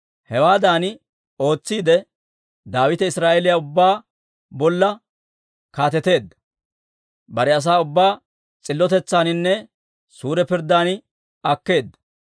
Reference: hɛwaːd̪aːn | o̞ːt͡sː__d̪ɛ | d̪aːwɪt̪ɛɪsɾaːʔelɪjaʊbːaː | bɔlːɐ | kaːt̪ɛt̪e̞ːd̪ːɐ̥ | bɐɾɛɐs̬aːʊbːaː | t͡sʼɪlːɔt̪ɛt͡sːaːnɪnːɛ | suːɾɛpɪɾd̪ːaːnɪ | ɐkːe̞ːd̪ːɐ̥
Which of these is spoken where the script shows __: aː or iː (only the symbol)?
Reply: iː